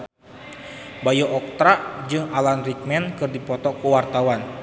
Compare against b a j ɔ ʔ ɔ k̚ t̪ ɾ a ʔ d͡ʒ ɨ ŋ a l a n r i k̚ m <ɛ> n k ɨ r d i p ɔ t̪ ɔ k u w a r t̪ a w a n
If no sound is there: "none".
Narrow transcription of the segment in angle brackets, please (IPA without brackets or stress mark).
ɛ